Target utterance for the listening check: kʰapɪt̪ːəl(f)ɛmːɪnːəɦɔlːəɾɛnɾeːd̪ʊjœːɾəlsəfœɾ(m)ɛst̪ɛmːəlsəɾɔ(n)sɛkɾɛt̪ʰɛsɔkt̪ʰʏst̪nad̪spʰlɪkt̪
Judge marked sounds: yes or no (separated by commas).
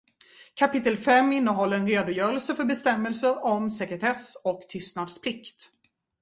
yes, no, no